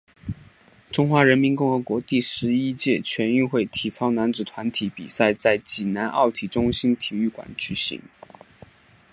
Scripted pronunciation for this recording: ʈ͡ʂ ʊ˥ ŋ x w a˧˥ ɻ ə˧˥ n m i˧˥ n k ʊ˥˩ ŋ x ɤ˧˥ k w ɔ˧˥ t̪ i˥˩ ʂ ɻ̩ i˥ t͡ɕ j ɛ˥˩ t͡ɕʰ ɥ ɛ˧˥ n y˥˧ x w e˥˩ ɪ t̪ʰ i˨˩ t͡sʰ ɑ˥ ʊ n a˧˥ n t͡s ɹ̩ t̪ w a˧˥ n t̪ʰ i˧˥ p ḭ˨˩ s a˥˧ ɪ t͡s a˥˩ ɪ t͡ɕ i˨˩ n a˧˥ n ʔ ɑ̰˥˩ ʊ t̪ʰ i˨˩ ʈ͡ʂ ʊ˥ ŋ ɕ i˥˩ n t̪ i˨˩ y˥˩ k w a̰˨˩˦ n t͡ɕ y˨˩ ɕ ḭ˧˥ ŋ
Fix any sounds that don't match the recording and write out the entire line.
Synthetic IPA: ʈ͡ʂ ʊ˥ ŋ x w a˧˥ ɻ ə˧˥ n m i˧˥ n k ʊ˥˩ ŋ x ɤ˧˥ k w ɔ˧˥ t̪ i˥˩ ʂ ɻ̩ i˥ t͡ɕ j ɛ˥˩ t͡ɕʰ ɥ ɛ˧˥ n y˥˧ x w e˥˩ ɪ t̪ʰ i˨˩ t͡sʰ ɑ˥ ʊ n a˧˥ n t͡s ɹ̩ t̪ʰ w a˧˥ n t̪ʰ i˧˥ p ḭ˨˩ s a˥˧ ɪ t͡s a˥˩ ɪ t͡ɕ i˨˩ n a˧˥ n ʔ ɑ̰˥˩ ʊ t̪ʰ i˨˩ ʈ͡ʂ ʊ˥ ŋ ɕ i˥ n t̪ʰ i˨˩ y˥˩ k w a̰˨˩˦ n t͡ɕ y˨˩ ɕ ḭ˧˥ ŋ